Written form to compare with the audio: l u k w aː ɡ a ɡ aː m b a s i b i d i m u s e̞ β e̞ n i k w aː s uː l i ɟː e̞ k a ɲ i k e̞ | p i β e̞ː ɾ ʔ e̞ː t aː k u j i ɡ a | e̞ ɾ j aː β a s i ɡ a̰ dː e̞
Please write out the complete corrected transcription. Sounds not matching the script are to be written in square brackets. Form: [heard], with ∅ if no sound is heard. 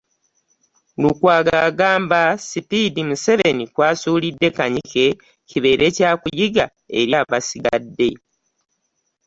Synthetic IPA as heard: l u k w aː ɡ a ɡ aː m b a s i [p] i d i m u s e̞ β e̞ n i k w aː s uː l i [dː] e̞ k a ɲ i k e̞ | [c] i β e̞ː ɾ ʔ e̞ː [c] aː k u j i ɡ a | e̞ ɾ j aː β a s i ɡ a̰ dː e̞

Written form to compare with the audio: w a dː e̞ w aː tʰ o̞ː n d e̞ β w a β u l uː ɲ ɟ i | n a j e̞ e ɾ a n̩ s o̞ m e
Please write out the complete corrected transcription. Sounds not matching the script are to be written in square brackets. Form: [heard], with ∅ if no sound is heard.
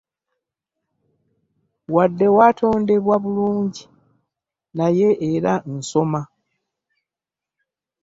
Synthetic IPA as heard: w a dː e̞ w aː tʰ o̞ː n d e̞ β w a β u l uː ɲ ɟ i | n a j e̞ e ɾ a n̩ s o̞ m [a]

